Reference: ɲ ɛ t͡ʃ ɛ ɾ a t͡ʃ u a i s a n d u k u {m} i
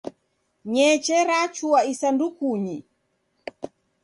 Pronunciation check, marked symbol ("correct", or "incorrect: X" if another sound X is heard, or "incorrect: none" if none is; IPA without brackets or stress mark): incorrect: ɲ